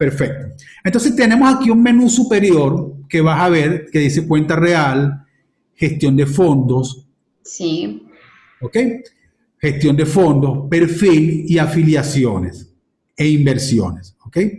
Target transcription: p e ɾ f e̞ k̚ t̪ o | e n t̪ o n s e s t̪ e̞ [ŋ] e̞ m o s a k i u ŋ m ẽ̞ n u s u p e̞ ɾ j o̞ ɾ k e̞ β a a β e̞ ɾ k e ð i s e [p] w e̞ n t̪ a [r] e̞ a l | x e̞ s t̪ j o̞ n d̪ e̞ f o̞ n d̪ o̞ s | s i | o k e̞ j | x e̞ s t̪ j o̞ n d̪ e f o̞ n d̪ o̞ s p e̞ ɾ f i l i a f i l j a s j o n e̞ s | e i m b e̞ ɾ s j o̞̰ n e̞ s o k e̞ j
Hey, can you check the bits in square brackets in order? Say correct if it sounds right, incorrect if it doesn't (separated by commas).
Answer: incorrect, incorrect, correct